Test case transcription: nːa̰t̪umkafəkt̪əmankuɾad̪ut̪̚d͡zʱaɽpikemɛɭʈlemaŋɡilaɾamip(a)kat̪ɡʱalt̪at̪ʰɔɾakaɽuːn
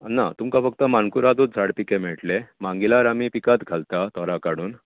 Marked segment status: incorrect: i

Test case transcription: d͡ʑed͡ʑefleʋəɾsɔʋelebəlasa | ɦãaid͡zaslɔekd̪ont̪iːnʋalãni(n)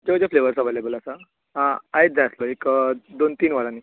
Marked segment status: incorrect: none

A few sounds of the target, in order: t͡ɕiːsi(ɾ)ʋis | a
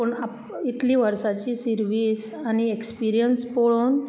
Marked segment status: correct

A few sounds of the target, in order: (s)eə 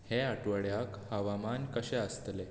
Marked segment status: incorrect: h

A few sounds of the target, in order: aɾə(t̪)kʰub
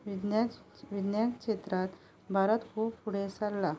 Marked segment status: correct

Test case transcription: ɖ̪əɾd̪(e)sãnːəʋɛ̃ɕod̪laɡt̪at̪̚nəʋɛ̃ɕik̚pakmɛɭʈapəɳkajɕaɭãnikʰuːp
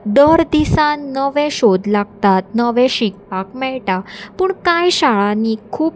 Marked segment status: incorrect: i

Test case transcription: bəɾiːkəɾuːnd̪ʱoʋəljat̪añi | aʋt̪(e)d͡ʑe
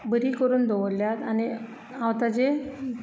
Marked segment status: incorrect: a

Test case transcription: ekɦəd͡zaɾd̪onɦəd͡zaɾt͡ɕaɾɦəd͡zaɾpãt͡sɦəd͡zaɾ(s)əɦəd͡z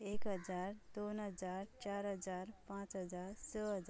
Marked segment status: correct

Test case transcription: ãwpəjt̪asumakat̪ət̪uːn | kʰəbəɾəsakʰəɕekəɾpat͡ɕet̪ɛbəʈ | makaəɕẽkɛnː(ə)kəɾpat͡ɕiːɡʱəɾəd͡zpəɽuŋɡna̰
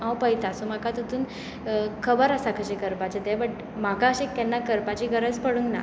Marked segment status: incorrect: a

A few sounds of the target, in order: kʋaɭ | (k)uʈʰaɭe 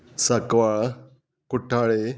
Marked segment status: correct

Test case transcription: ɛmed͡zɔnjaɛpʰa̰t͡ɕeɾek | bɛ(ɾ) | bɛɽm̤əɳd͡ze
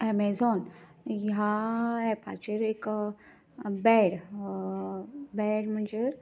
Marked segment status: incorrect: ɽ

